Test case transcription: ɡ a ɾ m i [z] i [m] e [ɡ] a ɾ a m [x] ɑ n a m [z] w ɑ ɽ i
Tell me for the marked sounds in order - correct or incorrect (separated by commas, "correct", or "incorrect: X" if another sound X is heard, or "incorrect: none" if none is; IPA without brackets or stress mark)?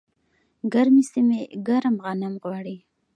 incorrect: s, correct, correct, incorrect: ɣ, incorrect: ɣ